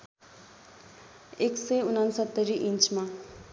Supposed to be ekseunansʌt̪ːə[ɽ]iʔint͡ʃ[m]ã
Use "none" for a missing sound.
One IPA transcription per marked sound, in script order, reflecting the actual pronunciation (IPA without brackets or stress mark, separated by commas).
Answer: ɾ, m